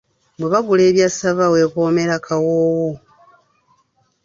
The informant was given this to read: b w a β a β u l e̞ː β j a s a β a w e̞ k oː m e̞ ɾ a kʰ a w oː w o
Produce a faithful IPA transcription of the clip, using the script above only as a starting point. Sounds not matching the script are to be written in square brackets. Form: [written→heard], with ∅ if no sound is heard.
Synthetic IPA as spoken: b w [a→e] β a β u l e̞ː β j a s a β a w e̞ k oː m e̞ ɾ a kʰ a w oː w o